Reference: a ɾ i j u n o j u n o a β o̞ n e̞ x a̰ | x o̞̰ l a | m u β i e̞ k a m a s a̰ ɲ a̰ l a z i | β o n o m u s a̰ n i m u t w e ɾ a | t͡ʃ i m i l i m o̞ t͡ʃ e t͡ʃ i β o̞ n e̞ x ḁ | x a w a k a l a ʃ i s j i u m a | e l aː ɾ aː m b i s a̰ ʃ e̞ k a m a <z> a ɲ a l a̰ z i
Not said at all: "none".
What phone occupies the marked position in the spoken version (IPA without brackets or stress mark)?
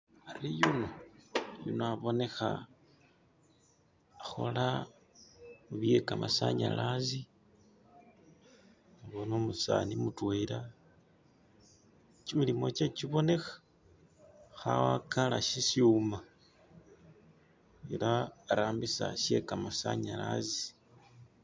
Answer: s